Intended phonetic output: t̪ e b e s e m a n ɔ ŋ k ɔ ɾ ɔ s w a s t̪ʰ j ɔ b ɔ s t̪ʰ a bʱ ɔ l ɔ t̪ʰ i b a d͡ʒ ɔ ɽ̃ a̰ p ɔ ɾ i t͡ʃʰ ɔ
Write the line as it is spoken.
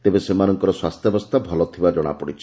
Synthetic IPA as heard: t̪ e b e s e m a n ɔ ŋ k ɔ ɾ ɔ s w a s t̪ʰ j ɔ b ɔ s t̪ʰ a bʱ ɔ l ɔ t̪ʰ i b a d͡ʒ ɔ ɽ̃ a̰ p ɔ ɽ i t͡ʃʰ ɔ

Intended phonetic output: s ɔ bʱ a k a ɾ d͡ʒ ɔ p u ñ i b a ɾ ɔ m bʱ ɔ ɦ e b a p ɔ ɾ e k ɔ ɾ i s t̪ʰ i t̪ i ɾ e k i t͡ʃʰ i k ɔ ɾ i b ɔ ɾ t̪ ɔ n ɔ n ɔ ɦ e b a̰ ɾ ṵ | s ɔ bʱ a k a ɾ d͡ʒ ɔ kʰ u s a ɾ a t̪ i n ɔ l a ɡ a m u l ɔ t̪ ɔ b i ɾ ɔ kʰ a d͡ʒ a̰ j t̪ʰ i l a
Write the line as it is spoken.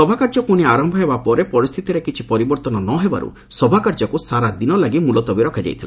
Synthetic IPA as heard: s ɔ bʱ a k a ɾ d͡ʒ ɔ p u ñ i a ɾ ɔ m bʱ ɔ ɦ e b a p ɔ ɾ e p ɔ ɾ i s t̪ʰ i t̪ i ɾ e k i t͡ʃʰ i p ɔ ɾ i b ɔ ɾ t̪ ɔ n ɔ n ɔ ɦ e b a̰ ɾ ṵ | s ɔ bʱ a k a ɾ d͡ʒ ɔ k u s a ɾ a d̪ i n ɔ l a ɡ i m u l ɔ t̪ ɔ b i ɾ ɔ kʰ a d͡ʒ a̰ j t̪ʰ i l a

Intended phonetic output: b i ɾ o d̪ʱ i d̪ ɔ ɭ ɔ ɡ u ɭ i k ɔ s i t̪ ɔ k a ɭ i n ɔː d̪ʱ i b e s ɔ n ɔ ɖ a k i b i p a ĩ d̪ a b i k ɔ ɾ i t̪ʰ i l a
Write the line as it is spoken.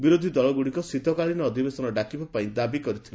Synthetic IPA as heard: b i ɾ o d̪ʱ i d̪ ɔ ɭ ɔ ɡ u ɽ i k ɔ s i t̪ ɔ k a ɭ i n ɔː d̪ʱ i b e s ɔ n ɔ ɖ a k i b a p a ĩ d̪ a b i k ɔ ɾ i t̪ʰ i l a

